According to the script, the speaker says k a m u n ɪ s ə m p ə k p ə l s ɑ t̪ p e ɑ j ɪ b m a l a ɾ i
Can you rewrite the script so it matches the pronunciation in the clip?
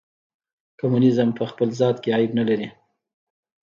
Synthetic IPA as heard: k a m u n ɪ z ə m p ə x p ə l z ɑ t̪ k e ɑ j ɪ b n a l a ɾ i